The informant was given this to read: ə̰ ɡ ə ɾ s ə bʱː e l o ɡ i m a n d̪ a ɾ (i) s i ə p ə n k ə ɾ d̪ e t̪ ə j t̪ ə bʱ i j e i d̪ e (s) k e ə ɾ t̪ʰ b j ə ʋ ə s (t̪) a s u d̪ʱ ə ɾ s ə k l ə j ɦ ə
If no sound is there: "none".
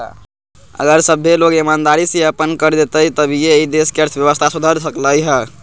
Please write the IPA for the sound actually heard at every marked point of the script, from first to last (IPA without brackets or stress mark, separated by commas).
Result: i, s, t̪ʰ